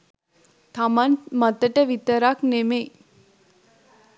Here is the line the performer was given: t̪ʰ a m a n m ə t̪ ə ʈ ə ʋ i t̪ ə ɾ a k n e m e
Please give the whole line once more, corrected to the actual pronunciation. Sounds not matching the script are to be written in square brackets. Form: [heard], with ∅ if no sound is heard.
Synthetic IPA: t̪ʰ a m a n m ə t̪ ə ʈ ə ʋ i t̪ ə ɾ a k n e m e